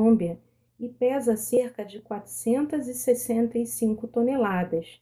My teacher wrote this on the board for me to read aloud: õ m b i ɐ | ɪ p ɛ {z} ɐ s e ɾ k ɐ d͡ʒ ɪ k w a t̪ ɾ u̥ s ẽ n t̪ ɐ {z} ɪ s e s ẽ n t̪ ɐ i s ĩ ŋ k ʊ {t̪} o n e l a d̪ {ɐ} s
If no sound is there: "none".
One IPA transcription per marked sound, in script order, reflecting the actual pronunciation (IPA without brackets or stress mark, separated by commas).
z, z, t̪, ɐ